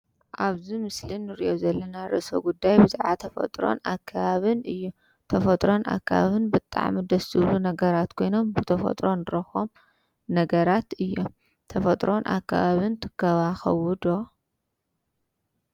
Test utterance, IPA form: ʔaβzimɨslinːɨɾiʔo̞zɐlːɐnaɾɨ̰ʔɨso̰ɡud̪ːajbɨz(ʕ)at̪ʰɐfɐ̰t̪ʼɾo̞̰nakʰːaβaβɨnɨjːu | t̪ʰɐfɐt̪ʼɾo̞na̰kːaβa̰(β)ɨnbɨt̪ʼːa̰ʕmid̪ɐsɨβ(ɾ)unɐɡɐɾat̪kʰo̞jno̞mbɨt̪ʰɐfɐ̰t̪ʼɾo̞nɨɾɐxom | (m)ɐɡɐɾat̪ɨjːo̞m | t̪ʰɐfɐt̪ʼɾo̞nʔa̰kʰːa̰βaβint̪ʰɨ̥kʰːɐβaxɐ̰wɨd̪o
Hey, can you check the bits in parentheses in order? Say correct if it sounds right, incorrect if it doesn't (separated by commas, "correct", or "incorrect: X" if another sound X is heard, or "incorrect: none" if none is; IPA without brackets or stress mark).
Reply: correct, correct, incorrect: l, incorrect: n